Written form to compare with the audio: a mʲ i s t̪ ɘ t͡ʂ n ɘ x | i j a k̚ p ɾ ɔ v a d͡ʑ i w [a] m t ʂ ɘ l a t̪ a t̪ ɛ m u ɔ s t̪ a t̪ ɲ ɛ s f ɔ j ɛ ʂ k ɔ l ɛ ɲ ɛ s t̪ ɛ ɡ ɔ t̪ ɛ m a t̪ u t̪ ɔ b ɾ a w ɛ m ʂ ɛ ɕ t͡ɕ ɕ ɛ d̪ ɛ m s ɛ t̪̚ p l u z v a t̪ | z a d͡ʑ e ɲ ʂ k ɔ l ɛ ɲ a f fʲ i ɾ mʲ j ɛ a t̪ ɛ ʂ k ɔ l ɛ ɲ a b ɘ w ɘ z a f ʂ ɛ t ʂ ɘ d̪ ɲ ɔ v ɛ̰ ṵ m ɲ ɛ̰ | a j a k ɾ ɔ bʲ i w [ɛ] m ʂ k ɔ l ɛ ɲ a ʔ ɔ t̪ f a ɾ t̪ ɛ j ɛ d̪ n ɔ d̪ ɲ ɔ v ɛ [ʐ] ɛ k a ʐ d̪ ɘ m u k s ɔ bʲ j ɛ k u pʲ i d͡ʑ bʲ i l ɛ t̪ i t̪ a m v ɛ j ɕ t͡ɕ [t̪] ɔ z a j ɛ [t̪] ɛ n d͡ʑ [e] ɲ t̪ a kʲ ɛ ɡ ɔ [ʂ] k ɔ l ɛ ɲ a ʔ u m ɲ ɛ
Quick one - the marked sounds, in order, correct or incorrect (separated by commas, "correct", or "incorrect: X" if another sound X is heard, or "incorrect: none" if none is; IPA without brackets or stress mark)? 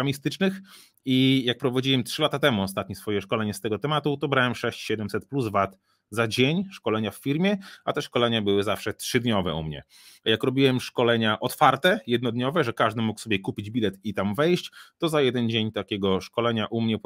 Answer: incorrect: ɛ, correct, correct, correct, incorrect: d̪, correct, correct